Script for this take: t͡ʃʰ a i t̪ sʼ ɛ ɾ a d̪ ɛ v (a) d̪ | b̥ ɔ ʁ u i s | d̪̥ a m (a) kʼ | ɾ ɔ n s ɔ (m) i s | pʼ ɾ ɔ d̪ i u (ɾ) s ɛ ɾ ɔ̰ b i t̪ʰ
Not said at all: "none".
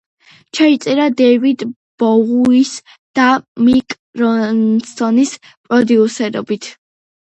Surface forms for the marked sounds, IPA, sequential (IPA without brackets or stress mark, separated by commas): i, i, n, none